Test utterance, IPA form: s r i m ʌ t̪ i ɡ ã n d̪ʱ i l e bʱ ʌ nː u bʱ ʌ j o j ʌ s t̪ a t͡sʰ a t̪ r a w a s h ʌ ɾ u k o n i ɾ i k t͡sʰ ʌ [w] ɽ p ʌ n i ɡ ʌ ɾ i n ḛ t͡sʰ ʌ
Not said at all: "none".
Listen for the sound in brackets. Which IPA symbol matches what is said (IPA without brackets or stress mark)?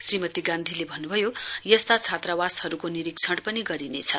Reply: none